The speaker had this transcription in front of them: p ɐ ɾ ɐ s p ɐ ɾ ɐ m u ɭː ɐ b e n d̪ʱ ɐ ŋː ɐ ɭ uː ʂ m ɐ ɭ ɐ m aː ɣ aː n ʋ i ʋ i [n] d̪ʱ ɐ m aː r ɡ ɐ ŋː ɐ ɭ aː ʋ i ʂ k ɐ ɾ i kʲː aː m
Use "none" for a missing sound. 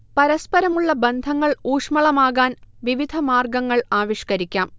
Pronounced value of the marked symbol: none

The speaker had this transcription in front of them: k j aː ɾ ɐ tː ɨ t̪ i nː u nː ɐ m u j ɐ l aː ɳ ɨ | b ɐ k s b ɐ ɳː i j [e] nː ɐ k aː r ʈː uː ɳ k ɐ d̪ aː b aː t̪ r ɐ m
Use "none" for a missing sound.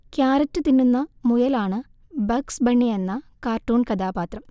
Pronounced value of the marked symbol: e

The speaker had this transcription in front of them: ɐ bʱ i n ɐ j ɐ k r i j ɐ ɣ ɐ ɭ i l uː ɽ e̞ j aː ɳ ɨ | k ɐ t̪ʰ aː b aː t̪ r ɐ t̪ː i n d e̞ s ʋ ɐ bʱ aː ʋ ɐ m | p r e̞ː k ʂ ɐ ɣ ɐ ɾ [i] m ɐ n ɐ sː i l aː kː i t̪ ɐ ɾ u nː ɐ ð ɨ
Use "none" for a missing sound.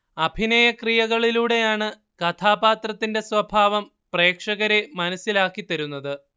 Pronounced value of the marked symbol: e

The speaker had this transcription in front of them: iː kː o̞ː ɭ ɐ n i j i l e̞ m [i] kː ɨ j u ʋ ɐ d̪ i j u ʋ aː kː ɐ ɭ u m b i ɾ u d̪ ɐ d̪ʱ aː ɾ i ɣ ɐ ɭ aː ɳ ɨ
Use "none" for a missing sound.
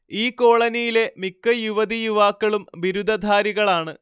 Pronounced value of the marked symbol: i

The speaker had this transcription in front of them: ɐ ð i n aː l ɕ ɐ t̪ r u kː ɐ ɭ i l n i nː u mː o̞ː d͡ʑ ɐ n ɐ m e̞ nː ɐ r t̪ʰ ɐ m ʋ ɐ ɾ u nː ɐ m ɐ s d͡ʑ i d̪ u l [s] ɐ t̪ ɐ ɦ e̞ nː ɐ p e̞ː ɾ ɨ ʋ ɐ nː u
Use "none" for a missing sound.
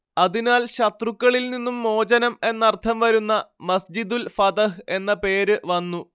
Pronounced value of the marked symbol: f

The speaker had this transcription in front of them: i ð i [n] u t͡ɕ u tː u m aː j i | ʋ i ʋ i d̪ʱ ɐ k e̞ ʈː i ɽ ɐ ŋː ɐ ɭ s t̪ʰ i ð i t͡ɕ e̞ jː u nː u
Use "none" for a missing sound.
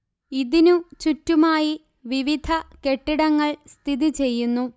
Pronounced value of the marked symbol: n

